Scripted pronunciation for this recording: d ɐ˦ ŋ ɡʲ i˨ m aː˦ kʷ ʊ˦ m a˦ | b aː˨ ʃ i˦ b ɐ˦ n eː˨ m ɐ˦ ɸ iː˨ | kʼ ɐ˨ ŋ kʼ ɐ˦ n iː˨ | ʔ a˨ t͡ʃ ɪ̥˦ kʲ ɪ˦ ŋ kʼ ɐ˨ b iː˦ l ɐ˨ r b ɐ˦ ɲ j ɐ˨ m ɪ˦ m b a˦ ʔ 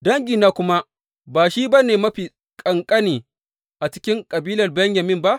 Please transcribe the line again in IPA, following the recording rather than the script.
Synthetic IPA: d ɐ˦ ŋ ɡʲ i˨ n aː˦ kʷ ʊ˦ m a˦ | b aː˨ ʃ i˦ b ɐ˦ n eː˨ m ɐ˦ ɸ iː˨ | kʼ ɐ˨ ŋ kʼ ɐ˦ n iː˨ | ʔ a˨ t͡ʃ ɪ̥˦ kʲ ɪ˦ ŋ kʼ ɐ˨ b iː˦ l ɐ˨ r b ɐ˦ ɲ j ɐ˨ m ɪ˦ m b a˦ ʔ